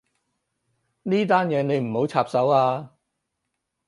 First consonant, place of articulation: alveolar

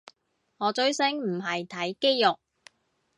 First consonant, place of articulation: velar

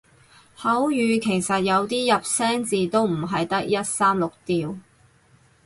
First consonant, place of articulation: glottal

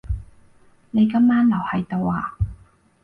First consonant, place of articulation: alveolar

